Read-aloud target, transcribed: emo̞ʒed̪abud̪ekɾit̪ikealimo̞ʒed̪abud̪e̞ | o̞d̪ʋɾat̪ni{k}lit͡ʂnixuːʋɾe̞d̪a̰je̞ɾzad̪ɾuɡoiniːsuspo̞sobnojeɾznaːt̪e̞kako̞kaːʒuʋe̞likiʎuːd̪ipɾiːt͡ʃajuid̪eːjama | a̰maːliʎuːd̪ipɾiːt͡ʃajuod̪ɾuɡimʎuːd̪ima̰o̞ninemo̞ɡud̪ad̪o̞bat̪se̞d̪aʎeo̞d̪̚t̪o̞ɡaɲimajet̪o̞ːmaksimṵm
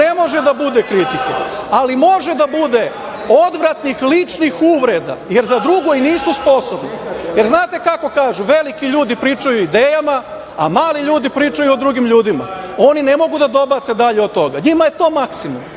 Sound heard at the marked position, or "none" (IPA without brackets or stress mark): x